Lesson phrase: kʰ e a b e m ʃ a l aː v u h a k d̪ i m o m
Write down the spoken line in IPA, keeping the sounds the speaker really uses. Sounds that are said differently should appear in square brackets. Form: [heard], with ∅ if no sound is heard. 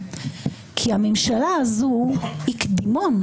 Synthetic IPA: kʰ [i] a [m] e m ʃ a l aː [z] u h [i] k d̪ i m o [n]